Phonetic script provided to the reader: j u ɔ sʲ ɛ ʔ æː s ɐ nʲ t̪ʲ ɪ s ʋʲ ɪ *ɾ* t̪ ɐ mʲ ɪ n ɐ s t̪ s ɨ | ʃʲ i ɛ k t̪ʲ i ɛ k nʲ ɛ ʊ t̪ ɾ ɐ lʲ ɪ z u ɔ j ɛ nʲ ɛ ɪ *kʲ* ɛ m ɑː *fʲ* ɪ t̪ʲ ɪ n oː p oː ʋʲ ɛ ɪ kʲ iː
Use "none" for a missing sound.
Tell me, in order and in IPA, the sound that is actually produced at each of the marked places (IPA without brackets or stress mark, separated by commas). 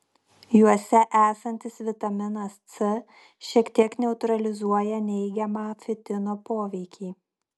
none, ɡʲ, fʲ